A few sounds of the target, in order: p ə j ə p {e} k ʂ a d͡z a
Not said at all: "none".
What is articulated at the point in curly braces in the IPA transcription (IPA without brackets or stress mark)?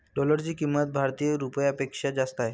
e